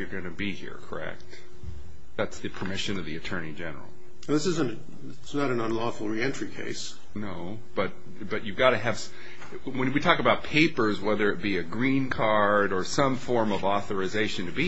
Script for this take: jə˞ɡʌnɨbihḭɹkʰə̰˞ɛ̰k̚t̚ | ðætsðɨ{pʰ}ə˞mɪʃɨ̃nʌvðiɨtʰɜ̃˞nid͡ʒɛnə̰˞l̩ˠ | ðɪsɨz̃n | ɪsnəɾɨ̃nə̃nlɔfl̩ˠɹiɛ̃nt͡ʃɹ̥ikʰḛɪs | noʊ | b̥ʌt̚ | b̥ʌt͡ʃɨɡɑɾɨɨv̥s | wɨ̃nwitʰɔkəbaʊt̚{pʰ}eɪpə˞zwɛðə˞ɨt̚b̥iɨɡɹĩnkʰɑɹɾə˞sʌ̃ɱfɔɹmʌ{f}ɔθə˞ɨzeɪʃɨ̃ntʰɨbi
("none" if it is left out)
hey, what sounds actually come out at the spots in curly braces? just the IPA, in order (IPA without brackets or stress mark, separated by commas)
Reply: pʰ, pʰ, v